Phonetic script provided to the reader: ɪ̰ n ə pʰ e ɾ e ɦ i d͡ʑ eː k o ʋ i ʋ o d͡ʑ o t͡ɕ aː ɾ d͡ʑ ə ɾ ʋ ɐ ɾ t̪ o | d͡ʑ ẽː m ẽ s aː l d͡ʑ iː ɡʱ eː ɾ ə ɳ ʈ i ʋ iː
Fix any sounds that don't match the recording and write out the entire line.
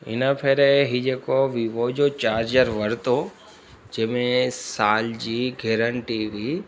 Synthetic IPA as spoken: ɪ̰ n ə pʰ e ɾ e ɦ i d͡ʑ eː k o ʋ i ʋ o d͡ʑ o t͡ɕ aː ɾ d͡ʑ ə ɾ ʋ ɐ ɾ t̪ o | d͡ʑ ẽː m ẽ s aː l d͡ʑ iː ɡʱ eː ɾ ə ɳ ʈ i ʋ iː